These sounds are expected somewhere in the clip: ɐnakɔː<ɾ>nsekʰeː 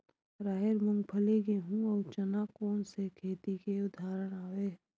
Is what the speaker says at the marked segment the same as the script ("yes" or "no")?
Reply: no